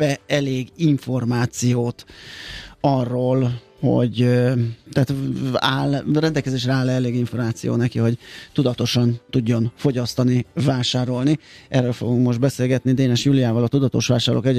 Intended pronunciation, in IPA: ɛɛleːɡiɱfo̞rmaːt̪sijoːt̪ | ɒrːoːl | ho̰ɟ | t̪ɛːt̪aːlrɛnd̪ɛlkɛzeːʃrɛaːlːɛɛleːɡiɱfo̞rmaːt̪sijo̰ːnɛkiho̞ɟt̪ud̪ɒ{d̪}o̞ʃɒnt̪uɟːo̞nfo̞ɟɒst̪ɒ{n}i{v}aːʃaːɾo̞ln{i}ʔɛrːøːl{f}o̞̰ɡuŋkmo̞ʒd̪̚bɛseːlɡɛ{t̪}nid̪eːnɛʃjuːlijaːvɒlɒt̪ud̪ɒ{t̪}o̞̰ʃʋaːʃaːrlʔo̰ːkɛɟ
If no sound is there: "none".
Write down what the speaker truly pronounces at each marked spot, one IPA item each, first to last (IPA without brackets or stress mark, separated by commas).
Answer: t̪, n, v, i, f, t̪, t̪